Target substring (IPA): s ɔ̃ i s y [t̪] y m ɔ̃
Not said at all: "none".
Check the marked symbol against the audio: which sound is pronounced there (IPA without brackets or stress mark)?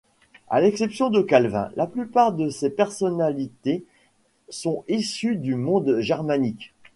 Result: d̪